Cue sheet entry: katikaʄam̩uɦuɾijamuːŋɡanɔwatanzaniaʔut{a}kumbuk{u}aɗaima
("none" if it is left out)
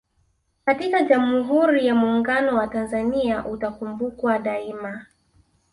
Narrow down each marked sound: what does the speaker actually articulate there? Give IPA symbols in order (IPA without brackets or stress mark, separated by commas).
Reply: a, w